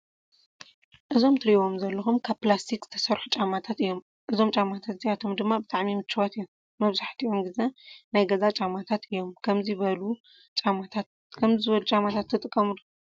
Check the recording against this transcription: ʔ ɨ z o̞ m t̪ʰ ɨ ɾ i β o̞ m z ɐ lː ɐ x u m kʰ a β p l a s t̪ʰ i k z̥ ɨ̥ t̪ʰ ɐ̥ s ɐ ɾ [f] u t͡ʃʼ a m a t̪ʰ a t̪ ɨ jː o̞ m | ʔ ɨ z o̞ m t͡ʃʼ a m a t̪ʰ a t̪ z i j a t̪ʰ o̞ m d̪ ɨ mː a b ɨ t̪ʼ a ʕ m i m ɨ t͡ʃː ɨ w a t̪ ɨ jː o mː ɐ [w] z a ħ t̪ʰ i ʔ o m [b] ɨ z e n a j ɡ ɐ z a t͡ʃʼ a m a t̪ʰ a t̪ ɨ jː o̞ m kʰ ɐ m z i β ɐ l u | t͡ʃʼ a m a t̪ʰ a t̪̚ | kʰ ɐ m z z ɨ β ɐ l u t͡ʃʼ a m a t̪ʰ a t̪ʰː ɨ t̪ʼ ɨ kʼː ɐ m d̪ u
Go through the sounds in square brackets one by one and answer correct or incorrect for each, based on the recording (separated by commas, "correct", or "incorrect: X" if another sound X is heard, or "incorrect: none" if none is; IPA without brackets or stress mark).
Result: incorrect: ħ, incorrect: β, incorrect: ɡ